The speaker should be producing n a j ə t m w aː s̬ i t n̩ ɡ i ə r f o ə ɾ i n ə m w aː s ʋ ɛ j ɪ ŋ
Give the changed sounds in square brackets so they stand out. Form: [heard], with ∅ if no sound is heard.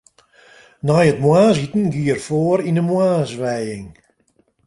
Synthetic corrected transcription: n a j ə t m w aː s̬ i t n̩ ɡ i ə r f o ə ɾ i n ə m w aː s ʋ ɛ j ɪ ŋ

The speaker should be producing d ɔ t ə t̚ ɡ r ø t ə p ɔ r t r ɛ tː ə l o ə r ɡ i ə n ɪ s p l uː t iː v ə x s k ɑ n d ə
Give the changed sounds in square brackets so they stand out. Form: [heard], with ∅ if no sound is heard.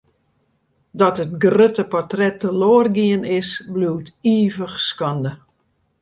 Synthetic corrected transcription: d ɔ t ə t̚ ɡ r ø t ə p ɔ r t r ɛ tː ə l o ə r ɡ i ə n ɪ s [b] l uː t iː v ə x s k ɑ n d ə

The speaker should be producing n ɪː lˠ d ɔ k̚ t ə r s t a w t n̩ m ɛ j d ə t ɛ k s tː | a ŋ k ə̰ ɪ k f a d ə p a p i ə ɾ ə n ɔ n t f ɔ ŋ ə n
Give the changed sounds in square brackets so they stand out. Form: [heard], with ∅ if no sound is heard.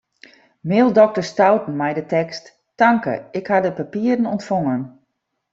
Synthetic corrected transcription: [m] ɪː lˠ d ɔ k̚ t ə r s t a w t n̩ m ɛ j d ə t ɛ k s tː | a ŋ k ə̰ ɪ k [h] a d ə p a p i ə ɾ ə n ɔ n t f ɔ ŋ ə n

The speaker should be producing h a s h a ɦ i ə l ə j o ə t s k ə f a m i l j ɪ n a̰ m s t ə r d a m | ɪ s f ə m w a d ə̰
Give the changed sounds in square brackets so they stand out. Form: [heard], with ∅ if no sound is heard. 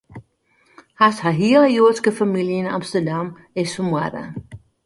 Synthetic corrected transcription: h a s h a ɦ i ə l ə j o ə t s k ə f a m i l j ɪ n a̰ m s t ə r d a m | ɪ s f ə m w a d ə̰

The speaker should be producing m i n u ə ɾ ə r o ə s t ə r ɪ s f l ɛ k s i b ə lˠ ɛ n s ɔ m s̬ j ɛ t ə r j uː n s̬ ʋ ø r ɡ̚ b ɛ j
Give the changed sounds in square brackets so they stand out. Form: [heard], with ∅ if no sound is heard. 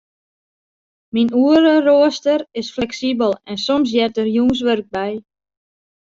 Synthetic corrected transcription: m i n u ə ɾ ə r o ə s t ə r ɪ s f l ɛ k s i b ə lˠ ɛ n s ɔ m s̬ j ɛ t ə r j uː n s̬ ʋ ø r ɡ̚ b ɛ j

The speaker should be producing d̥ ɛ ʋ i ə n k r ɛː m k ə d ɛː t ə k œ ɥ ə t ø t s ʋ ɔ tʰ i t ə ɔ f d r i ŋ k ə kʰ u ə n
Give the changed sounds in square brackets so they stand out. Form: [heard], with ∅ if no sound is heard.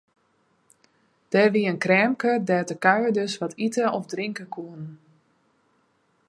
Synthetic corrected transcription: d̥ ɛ ʋ i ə n k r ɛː m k ə d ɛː t ə k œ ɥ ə [d] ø [∅] s ʋ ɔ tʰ i t ə ɔ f d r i ŋ k ə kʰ u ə n

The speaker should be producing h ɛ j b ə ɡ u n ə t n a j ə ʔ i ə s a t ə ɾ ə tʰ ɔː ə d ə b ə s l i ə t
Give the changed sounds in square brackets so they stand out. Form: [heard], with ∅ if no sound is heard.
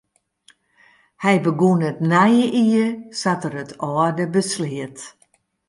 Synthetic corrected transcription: h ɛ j b ə ɡ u n ə t n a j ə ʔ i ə s a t ə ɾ ə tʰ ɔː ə d ə b ə s l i ə t

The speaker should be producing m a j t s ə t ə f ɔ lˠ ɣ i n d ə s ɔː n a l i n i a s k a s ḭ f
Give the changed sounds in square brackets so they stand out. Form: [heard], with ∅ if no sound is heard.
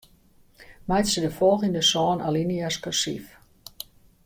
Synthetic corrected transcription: m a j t s ə [d] ə f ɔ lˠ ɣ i n d ə s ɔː n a l i n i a s k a s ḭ f

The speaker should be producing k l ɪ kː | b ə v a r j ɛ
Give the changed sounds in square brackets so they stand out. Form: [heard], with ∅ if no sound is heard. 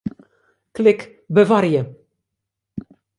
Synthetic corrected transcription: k l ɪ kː | b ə v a [ɾ] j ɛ

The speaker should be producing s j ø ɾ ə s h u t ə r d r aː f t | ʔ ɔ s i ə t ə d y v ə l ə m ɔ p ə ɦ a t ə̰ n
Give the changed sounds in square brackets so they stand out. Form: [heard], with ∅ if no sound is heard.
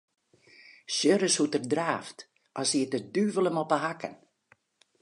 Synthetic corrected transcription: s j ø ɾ ə s h u t ə r d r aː f t | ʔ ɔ s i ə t ə d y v ə l ə m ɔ p ə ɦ a [k] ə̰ n

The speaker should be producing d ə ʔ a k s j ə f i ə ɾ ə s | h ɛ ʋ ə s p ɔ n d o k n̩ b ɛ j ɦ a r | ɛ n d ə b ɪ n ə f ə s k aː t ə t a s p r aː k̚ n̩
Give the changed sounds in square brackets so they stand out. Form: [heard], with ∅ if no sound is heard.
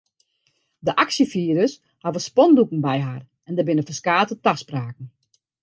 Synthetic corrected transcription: d ə ʔ a k s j ə f i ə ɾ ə s | h [a] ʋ ə s p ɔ n d [u] k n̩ b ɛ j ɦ a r | ɛ n d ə b ɪ n ə f ə s k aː t ə t a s p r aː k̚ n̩

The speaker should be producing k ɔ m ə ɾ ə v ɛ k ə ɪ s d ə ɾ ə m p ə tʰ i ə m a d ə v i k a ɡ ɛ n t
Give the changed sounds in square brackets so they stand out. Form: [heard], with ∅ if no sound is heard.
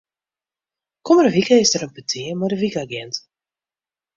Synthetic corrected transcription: k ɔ m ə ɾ ə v [i] k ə ɪ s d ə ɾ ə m p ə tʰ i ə m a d ə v i k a ɡ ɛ n t

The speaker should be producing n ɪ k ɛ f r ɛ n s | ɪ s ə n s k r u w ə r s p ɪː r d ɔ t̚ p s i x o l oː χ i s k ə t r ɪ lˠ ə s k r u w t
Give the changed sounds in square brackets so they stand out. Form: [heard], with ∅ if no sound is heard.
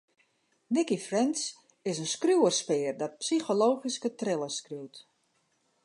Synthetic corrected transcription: n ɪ k [i] f r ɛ n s | ɪ s ə n s k r u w ə r s p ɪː r d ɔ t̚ p s i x o l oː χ i s k ə t r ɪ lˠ ə s k r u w t

